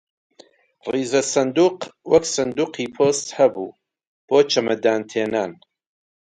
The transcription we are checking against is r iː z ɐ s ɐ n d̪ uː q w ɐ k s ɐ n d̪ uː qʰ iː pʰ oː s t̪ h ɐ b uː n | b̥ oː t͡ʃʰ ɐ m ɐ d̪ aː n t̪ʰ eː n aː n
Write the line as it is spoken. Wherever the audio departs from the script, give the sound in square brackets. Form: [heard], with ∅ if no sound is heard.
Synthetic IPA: r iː z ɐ s ɐ n d̪ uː q w ɐ k s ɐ n d̪ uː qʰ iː pʰ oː s t̪ h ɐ b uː [∅] | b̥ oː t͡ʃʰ ɐ m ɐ d̪ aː n t̪ʰ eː n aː n